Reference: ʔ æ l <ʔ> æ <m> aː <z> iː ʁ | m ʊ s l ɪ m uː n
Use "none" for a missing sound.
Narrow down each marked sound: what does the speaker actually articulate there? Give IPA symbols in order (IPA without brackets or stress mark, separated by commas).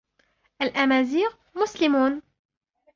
ʔ, m, z